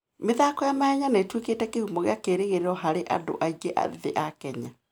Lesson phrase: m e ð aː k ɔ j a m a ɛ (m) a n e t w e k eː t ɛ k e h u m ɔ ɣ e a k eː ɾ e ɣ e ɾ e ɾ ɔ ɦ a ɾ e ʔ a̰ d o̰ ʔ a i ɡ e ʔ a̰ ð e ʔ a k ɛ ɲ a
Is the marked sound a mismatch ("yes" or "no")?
yes